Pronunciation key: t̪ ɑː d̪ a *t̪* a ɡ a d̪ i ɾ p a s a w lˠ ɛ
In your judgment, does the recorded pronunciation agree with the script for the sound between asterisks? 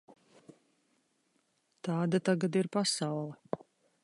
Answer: yes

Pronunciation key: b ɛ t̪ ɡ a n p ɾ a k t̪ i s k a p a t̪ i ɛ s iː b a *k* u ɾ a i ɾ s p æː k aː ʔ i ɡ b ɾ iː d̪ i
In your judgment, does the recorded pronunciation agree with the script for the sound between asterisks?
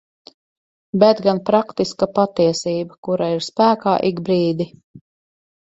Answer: yes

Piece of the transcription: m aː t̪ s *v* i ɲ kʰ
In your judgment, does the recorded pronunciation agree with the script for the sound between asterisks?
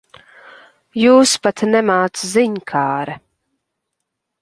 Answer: no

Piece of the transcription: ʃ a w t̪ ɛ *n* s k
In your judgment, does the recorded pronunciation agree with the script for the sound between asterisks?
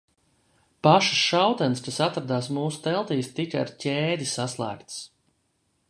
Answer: yes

